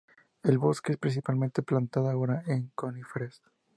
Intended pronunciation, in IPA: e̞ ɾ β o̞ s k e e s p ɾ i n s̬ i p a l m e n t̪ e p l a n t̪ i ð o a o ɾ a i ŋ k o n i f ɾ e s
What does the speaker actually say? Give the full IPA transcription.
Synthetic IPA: e̞ l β o̞ s k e e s p ɾ i n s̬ i p a l m e n t̪ e p l a n t̪ a ð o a o ɾ a e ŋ k o n i f ɾ e s